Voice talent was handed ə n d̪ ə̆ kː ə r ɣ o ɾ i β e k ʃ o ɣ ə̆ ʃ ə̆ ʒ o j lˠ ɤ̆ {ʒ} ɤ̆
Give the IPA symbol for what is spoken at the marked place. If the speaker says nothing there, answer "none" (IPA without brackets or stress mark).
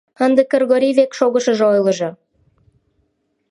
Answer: ʒ